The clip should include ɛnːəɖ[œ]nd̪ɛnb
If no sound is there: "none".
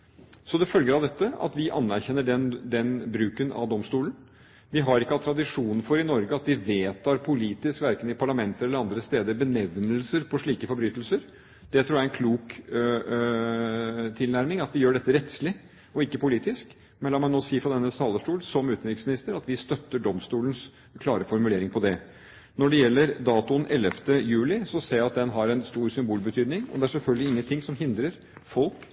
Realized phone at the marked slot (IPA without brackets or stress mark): ɛ